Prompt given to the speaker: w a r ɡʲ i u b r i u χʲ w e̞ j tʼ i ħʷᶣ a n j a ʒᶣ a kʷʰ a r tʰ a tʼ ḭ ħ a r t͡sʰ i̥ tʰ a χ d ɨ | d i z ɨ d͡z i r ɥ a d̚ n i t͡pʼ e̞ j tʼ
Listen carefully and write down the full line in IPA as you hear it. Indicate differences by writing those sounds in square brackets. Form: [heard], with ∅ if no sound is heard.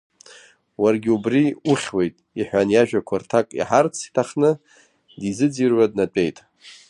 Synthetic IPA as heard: w a r ɡʲ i u b r i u χʲ w e̞ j tʼ i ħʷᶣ a n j a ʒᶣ a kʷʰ a r tʰ a [kʼ] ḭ ħ a r t͡sʰ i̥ tʰ a χ [n] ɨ | d i z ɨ d͡z i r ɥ a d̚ n [a] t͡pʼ e̞ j tʼ